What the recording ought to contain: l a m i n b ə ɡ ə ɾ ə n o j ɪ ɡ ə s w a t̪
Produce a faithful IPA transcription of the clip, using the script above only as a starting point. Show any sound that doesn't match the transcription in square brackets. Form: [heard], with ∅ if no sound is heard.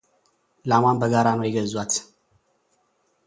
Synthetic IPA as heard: l a m [a] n b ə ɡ [a] ɾ [a] n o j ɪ ɡ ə [z] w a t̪